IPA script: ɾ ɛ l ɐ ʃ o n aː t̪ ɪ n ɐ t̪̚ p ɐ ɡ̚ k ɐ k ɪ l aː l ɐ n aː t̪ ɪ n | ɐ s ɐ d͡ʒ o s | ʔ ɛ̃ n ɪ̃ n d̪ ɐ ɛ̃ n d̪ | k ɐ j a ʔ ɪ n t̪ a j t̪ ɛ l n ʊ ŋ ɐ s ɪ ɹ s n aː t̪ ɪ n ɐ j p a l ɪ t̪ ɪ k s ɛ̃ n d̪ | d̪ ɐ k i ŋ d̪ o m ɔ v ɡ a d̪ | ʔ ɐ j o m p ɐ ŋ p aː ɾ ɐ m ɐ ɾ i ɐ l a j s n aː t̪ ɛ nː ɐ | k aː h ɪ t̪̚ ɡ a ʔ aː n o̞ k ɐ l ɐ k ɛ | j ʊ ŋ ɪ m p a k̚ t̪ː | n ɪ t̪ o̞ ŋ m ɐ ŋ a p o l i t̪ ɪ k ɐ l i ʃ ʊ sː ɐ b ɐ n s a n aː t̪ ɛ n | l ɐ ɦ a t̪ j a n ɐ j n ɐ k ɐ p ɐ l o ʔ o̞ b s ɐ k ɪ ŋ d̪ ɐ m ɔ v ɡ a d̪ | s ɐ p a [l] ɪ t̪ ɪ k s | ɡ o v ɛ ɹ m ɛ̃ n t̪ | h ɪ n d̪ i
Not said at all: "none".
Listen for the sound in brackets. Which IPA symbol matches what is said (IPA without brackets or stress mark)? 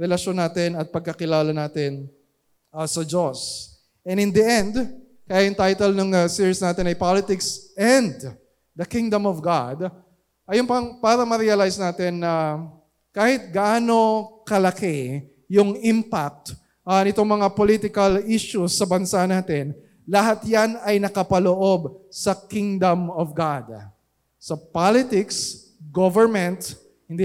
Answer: l